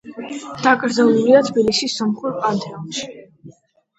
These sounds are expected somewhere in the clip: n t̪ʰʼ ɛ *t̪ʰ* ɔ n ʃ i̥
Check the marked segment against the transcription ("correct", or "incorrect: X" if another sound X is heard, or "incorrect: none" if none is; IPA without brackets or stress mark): incorrect: none